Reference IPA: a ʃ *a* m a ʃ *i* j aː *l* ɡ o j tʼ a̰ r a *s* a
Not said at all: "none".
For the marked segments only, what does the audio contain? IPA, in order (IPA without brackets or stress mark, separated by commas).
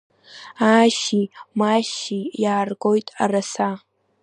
i, i, r, s